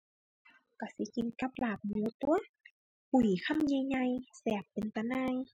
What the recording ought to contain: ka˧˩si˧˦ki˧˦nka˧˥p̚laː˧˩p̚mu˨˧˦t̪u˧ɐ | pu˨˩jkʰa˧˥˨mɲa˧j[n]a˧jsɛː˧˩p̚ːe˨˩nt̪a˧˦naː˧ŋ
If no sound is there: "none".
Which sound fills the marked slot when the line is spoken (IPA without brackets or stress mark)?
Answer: ɲ